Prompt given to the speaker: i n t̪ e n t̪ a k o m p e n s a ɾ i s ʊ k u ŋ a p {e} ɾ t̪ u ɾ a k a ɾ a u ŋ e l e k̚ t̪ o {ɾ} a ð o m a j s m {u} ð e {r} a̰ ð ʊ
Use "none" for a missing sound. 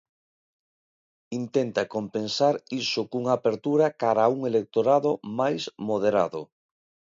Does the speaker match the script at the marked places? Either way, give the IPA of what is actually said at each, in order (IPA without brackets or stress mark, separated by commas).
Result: e, ɾ, o, ɾ